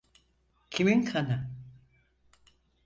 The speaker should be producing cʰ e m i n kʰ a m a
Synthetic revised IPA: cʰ i m i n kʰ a n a